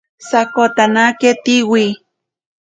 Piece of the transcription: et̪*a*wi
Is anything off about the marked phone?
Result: yes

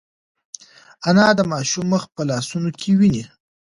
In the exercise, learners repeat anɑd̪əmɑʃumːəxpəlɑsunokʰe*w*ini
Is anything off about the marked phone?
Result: no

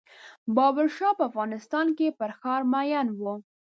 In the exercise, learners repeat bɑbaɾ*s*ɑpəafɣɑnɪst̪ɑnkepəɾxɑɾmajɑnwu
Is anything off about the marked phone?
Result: yes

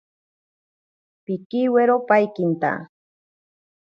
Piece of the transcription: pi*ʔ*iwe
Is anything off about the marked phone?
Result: yes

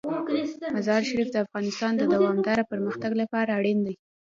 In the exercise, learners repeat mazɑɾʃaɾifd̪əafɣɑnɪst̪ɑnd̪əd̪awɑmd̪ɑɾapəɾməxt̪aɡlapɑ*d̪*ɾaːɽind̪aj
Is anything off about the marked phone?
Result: yes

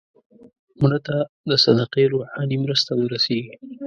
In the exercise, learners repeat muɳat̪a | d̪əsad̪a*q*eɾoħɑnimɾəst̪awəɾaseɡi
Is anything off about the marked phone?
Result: no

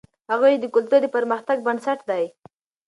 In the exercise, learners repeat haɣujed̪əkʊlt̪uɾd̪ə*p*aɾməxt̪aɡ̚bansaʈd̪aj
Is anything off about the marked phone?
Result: no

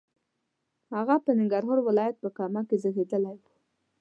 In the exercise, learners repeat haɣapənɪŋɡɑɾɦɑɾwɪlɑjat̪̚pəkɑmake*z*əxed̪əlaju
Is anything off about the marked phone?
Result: no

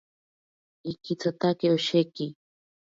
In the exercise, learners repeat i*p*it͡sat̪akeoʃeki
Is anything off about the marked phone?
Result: yes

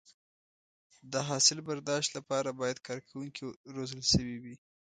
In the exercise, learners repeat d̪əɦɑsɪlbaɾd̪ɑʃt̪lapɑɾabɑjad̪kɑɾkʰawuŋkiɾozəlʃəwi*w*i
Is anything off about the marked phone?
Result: no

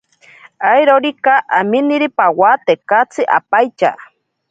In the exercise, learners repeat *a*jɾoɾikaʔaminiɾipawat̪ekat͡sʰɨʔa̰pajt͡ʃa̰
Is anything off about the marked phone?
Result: no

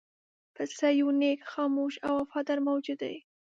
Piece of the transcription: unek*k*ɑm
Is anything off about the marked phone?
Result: yes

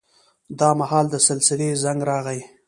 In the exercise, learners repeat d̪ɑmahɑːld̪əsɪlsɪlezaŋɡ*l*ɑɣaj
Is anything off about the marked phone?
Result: yes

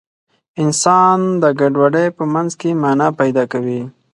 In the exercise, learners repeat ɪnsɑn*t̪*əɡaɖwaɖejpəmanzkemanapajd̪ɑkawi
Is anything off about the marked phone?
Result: yes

